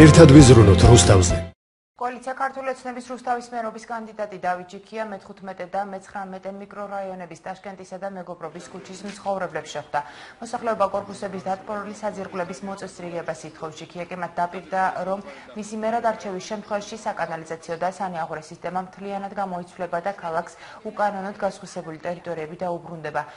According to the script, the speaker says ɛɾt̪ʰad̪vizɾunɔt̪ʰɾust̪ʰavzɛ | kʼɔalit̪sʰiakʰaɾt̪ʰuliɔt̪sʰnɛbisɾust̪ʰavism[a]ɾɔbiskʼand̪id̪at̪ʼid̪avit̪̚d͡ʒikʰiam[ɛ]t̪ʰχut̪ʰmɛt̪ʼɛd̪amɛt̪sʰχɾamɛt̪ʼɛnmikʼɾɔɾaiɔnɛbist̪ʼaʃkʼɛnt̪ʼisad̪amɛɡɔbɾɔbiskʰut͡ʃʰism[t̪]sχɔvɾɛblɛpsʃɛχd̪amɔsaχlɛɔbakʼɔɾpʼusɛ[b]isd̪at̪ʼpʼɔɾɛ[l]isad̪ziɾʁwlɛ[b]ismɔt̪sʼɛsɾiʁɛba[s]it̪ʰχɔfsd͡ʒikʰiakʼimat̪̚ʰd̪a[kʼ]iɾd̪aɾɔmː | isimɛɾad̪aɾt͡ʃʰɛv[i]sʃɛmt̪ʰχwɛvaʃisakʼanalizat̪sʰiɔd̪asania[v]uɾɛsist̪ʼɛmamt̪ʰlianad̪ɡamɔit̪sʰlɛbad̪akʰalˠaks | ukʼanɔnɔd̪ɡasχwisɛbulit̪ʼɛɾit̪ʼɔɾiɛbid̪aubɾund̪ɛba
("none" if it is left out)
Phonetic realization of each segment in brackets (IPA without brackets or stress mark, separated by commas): ɛ, ɛ, t̪, b, l, b, s, pʼ, i, ʁ